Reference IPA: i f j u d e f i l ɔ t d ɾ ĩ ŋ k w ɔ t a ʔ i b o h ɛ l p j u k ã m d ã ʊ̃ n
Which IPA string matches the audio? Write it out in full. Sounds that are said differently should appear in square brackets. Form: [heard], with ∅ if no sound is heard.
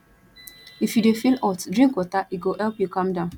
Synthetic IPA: i f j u d e f i l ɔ t d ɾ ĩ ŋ k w ɔ t a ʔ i [ɡ] o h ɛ l p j u k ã m d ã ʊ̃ n